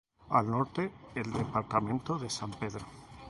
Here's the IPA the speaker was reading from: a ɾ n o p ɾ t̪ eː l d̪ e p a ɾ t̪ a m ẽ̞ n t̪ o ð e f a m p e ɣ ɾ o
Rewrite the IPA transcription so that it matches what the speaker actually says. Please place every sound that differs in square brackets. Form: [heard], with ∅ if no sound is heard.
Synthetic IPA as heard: a [l] n o [∅] ɾ t̪ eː l d̪ e p a ɾ t̪ a m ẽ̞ n t̪ o ð e [s] a m p e [ð] ɾ o